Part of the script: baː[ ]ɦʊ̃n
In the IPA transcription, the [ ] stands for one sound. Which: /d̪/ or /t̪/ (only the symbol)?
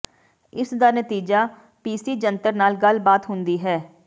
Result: t̪